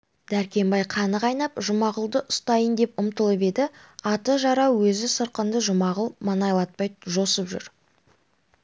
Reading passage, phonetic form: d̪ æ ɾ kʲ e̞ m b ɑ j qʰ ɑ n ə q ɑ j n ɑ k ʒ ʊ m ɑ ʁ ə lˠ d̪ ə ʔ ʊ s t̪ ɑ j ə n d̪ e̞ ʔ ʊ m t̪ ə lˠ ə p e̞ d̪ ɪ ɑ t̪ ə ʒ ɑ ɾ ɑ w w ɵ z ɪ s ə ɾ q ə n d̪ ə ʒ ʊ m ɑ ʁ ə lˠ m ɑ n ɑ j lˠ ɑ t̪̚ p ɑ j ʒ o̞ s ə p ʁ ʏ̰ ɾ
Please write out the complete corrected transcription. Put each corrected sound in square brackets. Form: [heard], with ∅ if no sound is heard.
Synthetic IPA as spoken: d̪ æ ɾ kʲ e̞ m b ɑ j qʰ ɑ n ə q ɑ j n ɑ [p] ʒ ʊ m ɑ ʁ ə lˠ d̪ ə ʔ ʊ s t̪ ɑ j ə n d̪ e̞ [p] ʊ m t̪ ə lˠ ə p e̞ d̪ ɪ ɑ t̪ ə ʒ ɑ ɾ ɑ w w ɵ z ɪ s ə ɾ q ə n d̪ ə ʒ ʊ m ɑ ʁ ə lˠ m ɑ n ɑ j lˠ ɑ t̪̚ p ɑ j ʒ o̞ s ə p [ʒ] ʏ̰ ɾ